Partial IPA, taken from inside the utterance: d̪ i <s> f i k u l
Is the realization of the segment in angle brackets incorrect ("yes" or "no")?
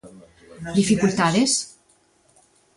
yes